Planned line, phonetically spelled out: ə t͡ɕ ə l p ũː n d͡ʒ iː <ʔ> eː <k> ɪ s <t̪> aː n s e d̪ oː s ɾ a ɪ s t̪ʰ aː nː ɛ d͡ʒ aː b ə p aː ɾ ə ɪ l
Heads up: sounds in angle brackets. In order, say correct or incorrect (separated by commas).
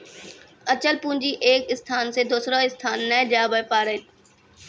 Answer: correct, correct, incorrect